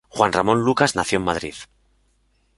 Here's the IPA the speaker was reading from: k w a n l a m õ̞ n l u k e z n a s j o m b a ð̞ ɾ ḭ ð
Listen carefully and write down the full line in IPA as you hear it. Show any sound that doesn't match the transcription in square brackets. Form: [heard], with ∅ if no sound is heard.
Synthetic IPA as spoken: [x] w a n [r] a m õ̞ n l u k [a] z n a [θ] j o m [m] a ð̞ ɾ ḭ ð